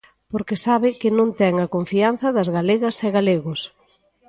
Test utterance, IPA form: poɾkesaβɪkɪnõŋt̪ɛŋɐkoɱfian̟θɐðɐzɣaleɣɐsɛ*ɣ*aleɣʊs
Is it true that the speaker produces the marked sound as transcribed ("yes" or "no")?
yes